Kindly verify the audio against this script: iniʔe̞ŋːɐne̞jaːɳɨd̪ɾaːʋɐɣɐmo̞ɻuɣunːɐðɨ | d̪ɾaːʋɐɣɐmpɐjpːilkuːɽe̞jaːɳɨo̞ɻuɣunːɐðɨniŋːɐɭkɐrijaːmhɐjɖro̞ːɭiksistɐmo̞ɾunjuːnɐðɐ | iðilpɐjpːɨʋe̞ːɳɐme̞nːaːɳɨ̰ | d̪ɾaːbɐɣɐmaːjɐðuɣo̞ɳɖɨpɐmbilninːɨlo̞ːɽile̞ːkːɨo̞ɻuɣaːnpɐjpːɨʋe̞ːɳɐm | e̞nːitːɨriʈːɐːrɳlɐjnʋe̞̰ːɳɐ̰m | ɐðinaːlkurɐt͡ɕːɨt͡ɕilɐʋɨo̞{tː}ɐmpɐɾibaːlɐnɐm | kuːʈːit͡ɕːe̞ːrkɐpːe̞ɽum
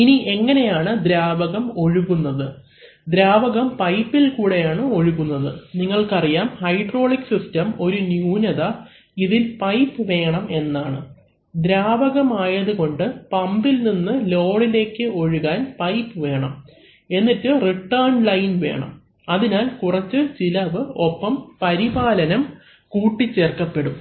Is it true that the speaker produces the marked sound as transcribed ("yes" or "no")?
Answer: no